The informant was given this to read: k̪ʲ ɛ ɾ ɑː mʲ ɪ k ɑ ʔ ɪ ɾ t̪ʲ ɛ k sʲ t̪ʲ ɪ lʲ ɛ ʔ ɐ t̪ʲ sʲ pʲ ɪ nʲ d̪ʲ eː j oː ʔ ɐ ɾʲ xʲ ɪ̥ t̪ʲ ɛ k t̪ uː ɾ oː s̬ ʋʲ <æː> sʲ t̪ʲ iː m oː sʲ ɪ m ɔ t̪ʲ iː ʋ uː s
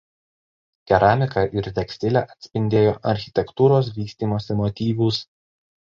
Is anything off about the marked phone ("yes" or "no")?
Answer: yes